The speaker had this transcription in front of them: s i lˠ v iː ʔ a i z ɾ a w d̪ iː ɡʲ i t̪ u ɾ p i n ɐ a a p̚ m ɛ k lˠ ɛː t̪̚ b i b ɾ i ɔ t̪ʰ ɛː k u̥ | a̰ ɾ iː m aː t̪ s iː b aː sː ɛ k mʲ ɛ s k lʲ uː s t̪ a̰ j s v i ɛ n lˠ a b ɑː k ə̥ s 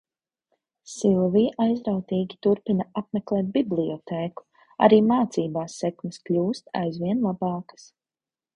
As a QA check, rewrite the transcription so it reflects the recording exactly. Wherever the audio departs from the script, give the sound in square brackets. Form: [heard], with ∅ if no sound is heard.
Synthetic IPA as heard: s i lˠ v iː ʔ a [j] z ɾ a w [t̪] iː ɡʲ i t̪ u ɾ p i n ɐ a a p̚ m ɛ k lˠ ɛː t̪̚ b i b [l] i ɔ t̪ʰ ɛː k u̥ | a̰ ɾ iː m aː t̪ s iː b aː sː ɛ k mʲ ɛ s k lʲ uː s t̪ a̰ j [z] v i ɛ n lˠ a b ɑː k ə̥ s